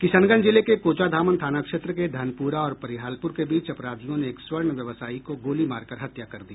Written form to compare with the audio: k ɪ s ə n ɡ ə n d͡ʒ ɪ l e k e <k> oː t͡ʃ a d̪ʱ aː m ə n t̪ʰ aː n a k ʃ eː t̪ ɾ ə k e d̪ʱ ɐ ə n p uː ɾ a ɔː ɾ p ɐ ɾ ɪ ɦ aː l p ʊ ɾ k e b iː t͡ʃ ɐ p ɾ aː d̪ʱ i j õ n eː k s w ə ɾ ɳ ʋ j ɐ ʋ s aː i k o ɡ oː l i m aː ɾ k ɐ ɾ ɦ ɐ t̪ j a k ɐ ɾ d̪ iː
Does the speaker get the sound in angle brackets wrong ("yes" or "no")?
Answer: no